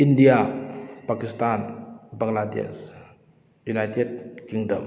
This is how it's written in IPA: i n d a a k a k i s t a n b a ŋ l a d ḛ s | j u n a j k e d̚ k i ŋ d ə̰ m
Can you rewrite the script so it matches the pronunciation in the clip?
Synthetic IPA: i n d i a p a k i s t a n b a ŋ l a d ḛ s | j u n a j t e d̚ k i ŋ d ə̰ m